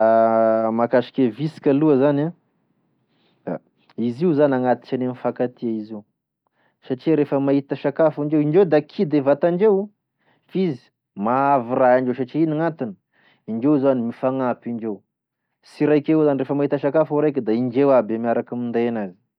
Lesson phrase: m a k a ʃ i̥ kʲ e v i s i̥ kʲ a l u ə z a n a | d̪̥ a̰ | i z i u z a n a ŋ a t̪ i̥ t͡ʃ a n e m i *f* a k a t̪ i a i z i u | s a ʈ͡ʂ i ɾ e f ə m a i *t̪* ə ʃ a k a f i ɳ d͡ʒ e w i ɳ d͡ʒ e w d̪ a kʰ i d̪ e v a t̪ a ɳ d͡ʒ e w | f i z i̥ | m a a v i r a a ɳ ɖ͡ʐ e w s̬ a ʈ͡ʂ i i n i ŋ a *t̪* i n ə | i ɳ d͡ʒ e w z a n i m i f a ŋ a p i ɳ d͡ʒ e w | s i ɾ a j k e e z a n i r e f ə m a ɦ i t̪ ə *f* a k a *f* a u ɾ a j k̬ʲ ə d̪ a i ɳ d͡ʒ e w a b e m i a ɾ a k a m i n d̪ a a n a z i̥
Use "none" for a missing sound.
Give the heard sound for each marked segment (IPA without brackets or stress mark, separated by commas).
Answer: f, t̪, t̪, ʃ, f